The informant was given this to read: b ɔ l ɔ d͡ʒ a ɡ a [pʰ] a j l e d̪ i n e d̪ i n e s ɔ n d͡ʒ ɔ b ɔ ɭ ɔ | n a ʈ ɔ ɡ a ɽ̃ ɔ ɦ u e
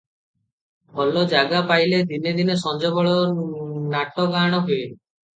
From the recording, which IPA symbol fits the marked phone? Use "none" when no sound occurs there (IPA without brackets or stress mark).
p